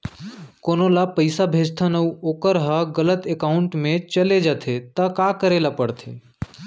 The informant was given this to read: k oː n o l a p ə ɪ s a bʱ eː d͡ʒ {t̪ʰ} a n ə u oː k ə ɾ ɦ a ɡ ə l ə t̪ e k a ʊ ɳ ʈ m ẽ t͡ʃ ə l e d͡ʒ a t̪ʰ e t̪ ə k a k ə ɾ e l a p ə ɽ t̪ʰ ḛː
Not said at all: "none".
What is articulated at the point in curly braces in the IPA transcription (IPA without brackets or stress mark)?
t̪ʰ